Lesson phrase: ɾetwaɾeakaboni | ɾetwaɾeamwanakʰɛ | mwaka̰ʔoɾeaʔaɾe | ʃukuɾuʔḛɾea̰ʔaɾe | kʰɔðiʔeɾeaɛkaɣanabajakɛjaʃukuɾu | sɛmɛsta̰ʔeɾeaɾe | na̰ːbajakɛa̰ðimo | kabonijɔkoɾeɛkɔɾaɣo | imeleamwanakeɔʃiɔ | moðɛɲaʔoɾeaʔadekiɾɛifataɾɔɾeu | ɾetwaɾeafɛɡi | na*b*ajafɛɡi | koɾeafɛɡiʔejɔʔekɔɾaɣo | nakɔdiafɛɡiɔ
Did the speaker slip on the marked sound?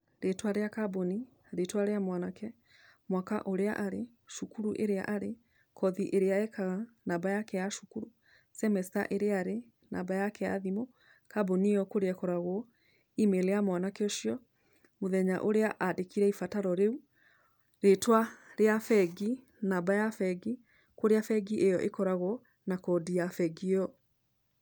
no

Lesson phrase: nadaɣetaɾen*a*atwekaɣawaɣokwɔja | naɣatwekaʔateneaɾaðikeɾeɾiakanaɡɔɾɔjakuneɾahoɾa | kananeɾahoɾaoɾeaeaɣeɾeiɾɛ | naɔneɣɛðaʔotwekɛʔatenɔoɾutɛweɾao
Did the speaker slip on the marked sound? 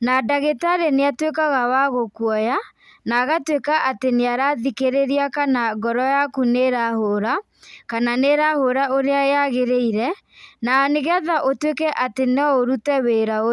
yes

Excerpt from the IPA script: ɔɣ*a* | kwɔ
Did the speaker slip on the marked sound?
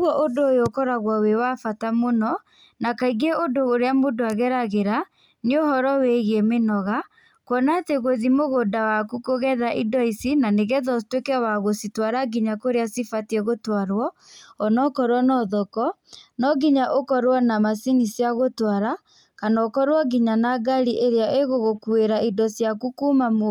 no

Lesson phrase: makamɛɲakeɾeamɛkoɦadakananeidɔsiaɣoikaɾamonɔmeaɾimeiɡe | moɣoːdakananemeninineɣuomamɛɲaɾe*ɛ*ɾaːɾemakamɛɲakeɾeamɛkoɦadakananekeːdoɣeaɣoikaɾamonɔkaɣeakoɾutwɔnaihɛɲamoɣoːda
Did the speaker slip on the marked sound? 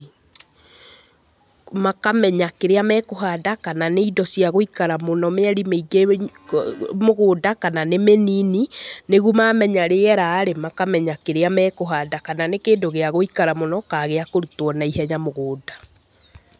no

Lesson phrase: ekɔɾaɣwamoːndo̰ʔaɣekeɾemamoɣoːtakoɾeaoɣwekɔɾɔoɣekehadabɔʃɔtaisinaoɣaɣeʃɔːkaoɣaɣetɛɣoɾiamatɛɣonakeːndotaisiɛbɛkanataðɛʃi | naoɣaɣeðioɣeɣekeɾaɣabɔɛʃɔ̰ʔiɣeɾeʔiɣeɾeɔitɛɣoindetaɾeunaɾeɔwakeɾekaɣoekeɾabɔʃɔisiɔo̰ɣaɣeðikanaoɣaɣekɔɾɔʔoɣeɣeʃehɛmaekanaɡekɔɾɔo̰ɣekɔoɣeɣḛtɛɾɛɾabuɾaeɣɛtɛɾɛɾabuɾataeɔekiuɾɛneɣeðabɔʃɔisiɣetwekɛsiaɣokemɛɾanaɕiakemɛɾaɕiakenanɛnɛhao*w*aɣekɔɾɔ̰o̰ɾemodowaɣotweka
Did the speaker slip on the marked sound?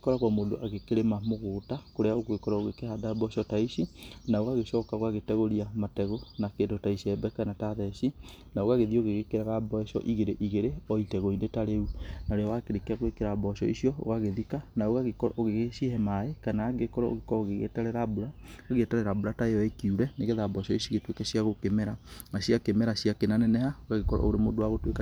yes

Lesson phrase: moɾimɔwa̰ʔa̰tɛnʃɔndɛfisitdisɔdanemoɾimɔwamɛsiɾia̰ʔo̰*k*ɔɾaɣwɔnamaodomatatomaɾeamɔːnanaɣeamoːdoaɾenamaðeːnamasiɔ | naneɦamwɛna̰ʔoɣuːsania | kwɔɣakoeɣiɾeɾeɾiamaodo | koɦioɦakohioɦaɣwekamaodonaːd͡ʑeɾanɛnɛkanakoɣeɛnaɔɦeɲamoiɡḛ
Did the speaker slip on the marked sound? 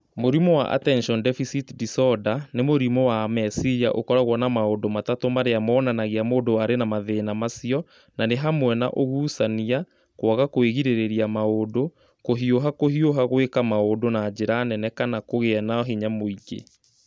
no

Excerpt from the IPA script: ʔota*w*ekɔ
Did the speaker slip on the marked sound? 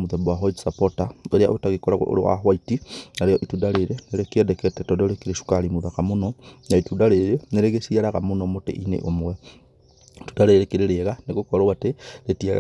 yes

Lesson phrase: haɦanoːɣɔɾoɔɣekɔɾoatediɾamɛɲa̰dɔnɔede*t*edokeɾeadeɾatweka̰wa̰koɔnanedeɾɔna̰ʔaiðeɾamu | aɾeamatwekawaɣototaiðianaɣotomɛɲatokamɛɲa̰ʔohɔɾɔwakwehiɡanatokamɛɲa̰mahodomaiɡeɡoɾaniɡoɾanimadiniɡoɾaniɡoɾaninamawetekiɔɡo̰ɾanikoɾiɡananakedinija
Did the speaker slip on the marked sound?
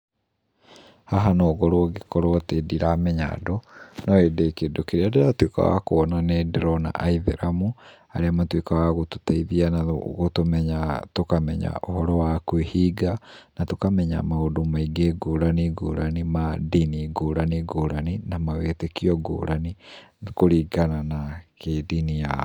yes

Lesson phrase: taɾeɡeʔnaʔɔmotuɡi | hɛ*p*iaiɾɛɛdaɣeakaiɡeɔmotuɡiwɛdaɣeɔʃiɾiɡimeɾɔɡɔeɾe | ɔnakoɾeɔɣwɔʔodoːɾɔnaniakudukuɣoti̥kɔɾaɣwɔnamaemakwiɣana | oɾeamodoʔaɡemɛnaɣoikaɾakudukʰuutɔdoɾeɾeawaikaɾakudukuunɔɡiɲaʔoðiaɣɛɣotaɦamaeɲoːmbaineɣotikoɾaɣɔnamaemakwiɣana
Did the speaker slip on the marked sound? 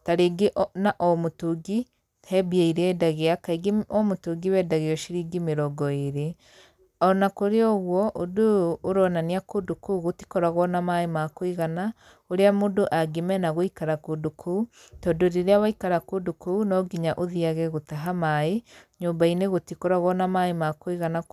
yes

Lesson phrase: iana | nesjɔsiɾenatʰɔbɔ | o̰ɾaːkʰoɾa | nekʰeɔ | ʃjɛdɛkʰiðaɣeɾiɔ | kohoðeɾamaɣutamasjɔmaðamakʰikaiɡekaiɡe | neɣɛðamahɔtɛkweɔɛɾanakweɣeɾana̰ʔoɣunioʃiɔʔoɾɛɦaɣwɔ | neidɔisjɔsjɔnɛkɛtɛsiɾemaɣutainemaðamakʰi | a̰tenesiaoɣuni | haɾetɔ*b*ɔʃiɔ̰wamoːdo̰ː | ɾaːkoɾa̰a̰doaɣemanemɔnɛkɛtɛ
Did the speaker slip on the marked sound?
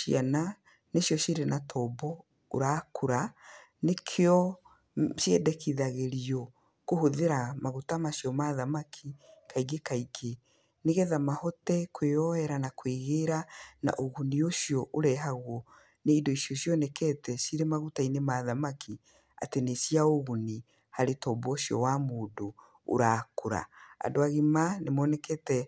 no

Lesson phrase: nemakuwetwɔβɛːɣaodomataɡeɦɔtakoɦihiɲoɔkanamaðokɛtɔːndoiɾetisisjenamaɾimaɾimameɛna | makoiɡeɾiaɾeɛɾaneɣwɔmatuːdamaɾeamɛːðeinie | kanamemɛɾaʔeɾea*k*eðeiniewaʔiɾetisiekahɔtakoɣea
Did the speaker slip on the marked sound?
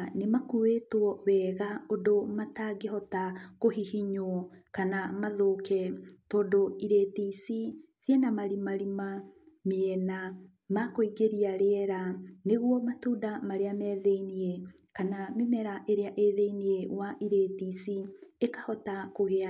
yes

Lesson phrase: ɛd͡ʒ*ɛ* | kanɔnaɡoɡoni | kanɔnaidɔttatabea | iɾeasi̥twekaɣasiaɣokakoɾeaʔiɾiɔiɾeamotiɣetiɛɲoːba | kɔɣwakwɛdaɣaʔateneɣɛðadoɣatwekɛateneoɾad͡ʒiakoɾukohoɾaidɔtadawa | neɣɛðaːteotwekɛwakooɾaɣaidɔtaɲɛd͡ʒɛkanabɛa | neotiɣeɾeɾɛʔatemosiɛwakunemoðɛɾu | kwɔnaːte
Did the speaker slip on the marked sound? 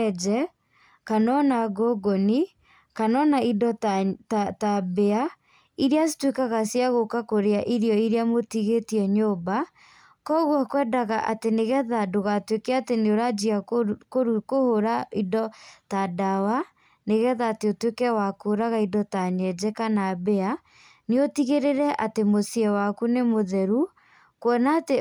no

